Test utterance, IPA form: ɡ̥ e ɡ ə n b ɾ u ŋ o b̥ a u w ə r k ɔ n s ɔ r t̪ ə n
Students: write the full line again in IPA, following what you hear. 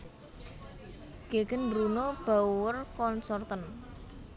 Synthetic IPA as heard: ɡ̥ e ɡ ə n b ɾ u n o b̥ a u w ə r k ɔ n s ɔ r t̪ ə n